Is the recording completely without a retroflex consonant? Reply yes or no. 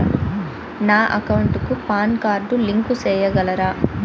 no